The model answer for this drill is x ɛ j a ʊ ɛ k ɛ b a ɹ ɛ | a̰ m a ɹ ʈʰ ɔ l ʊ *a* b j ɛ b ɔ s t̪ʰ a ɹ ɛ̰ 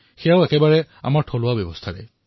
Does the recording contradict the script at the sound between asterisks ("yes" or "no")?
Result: no